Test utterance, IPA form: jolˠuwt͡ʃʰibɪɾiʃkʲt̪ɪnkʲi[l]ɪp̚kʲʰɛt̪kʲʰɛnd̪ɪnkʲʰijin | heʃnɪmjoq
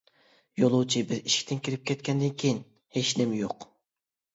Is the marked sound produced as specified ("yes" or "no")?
no